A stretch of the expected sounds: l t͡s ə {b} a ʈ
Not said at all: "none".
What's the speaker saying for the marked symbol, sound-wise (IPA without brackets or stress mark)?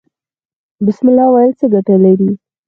ɡ